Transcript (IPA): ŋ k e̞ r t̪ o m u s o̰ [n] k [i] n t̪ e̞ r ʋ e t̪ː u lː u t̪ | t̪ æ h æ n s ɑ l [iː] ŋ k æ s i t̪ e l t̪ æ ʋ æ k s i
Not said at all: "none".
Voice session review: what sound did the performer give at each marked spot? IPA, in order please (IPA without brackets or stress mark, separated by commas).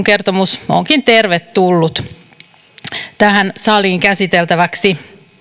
ŋ, i, iː